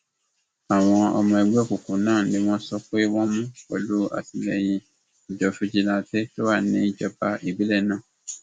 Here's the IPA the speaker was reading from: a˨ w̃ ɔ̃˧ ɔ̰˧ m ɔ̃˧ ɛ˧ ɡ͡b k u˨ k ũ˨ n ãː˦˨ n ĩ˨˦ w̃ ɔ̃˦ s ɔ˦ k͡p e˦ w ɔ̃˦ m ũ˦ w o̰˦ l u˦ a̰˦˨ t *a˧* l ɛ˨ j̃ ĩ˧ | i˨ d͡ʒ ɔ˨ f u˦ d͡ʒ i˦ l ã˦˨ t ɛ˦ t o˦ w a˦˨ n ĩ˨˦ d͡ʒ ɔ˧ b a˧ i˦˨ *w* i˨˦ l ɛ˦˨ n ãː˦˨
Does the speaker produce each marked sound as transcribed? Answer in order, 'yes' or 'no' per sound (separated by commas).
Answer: no, no